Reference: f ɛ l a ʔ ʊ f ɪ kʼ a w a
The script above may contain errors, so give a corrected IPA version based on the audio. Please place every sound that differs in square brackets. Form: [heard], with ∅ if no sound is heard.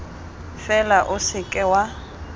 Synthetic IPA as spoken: f ɛ l a ʔ ʊ [s] ɪ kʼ [ɛ] w a